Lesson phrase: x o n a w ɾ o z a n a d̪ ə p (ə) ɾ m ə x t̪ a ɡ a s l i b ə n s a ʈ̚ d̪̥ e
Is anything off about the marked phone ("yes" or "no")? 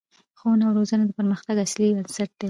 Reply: no